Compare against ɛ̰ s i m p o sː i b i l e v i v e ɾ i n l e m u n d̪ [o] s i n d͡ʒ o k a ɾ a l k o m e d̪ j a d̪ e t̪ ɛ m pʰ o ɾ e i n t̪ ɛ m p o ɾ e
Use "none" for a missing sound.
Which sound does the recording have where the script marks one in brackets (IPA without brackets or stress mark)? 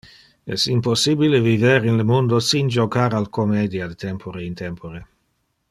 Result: o